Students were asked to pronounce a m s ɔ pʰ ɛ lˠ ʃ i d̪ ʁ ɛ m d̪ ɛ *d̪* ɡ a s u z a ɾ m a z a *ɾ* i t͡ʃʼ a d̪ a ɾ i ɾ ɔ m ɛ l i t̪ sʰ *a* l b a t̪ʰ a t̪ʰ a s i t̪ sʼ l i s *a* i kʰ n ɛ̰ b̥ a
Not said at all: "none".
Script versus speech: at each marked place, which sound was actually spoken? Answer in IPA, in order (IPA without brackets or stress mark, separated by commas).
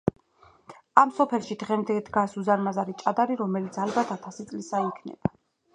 d̪, ɾ, a, a